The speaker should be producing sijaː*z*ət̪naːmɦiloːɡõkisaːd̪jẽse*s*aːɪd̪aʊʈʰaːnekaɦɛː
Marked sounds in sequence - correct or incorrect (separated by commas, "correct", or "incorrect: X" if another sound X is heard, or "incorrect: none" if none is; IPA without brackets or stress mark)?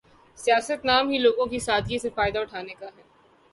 incorrect: s, incorrect: f